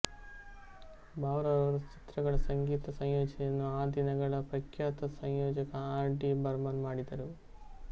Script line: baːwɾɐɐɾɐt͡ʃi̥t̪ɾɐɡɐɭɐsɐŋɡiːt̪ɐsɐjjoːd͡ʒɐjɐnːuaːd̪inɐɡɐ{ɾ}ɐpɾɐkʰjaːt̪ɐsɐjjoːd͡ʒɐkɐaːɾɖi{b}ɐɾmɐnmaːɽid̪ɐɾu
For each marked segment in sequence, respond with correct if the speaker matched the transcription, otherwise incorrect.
incorrect: ɭ, correct

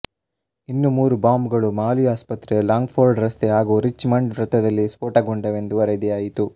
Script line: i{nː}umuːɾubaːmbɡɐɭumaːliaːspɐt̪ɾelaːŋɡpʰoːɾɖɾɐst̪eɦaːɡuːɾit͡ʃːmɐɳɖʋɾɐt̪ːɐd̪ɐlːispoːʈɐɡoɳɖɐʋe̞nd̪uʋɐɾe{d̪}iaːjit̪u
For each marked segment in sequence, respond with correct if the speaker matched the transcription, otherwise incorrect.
correct, correct

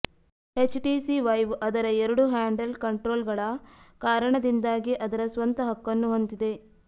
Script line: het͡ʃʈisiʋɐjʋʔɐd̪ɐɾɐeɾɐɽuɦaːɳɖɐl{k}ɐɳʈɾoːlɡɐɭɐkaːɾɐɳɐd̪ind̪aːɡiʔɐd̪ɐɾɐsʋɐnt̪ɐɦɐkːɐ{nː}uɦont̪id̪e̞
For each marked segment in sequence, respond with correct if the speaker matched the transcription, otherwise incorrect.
correct, correct

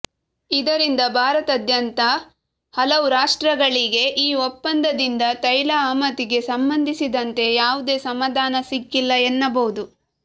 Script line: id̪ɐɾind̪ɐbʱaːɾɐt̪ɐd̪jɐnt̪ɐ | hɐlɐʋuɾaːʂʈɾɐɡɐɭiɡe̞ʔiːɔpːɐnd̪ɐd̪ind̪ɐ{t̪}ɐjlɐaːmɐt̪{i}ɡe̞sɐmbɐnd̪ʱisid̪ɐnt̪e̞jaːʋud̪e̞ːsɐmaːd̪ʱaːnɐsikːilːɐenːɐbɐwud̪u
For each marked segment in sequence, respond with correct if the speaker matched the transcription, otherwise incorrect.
correct, correct

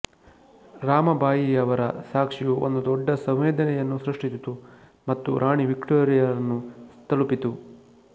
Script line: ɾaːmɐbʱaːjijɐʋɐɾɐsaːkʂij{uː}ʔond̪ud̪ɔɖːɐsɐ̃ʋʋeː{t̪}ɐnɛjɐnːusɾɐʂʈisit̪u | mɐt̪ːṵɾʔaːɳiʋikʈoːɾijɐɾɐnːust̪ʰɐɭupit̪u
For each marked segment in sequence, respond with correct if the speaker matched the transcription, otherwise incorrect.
incorrect: u, incorrect: d̪

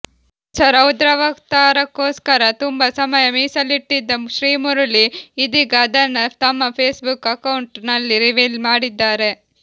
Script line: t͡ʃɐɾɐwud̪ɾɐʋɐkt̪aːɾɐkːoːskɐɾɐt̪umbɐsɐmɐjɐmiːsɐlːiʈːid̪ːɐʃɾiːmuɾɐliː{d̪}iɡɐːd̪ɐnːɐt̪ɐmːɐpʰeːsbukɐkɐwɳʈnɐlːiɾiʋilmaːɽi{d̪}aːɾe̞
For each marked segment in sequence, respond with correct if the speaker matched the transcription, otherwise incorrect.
correct, incorrect: d̪ː

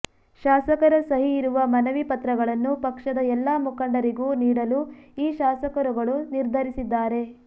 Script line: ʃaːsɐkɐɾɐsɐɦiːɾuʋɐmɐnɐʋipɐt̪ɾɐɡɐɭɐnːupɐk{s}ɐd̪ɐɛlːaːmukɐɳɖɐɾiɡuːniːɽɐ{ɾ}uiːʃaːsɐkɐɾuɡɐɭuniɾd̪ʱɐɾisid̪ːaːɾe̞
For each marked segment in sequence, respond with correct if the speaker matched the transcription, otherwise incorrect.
incorrect: ʂ, incorrect: l

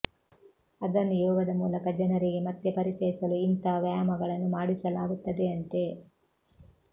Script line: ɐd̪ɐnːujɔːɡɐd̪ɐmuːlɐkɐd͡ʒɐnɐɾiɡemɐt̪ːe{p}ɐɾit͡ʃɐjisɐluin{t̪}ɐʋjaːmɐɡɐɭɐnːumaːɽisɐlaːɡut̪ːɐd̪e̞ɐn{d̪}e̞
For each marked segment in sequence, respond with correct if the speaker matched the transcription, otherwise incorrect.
correct, correct, incorrect: t̪

